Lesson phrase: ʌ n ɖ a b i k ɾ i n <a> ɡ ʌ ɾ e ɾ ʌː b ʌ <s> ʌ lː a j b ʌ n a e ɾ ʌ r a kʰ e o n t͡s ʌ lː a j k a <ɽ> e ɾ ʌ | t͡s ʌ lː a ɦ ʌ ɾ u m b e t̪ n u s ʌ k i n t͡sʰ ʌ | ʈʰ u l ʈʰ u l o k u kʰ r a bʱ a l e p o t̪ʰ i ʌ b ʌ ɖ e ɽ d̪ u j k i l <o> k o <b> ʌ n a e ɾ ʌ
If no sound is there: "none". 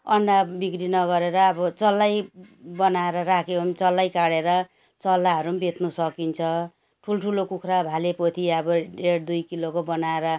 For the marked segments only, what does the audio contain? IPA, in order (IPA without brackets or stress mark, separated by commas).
ʌ, t͡s, ɽ, o, b